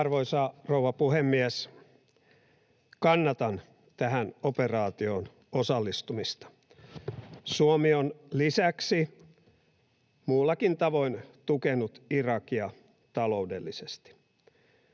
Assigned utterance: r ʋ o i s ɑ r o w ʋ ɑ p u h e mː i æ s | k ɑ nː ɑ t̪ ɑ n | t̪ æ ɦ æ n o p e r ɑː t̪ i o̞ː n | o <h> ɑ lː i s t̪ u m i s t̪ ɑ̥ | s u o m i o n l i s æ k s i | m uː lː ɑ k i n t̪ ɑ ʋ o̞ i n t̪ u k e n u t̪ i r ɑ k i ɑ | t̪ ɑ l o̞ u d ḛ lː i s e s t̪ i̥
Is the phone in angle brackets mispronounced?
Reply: yes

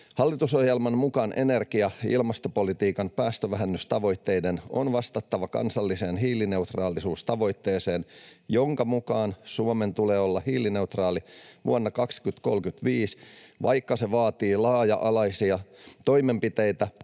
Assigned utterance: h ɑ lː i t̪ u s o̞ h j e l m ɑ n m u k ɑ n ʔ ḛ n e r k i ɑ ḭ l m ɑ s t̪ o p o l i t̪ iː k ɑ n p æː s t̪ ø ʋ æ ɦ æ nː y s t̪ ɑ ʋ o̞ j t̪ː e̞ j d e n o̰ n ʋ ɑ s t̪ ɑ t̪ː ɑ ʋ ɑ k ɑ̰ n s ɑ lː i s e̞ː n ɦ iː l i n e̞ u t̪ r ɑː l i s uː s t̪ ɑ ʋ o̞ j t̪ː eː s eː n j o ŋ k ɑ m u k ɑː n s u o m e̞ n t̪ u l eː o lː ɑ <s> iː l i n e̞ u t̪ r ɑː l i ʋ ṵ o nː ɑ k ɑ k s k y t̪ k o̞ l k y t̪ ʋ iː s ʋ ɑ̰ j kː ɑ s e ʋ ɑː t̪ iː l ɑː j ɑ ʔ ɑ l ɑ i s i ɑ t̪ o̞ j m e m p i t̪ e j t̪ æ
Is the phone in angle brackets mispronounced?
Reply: yes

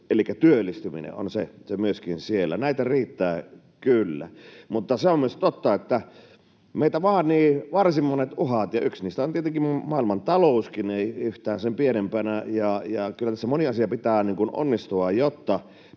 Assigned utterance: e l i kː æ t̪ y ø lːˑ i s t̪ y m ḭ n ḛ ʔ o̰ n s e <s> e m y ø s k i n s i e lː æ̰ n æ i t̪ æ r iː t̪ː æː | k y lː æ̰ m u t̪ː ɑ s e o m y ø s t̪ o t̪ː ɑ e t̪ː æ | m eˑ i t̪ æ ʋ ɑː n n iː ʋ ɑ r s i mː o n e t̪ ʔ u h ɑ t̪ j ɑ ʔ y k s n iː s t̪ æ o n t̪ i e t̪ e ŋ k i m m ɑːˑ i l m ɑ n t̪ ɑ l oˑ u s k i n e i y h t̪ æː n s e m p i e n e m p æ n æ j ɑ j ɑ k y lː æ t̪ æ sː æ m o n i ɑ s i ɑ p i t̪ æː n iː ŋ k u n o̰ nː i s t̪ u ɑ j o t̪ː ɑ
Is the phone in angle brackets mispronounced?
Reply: no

